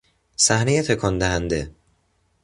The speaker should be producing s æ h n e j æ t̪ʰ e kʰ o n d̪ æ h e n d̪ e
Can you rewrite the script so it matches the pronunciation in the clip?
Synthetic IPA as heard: s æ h n e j e t̪ʰ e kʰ ɒ n d̪ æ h æ n d̪ e